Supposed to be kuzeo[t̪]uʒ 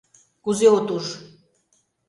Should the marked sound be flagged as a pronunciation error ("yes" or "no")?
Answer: no